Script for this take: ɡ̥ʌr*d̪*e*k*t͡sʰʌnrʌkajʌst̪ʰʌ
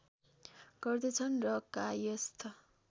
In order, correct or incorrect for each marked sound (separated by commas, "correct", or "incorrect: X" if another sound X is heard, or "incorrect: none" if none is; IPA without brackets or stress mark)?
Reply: correct, incorrect: none